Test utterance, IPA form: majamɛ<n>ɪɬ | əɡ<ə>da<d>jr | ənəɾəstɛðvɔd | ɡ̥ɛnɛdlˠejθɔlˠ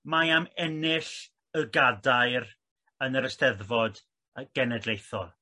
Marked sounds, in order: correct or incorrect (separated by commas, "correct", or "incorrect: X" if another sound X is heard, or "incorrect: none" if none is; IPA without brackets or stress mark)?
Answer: correct, incorrect: a, incorrect: none